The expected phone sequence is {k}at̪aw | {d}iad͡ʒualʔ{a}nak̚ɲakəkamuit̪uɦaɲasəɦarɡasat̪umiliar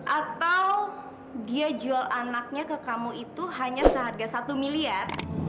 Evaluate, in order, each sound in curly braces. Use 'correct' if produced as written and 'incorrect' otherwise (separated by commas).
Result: incorrect, correct, correct